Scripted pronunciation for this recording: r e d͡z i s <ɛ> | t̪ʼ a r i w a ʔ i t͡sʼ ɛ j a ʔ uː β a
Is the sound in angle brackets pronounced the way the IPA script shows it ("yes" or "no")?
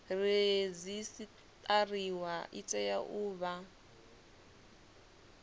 no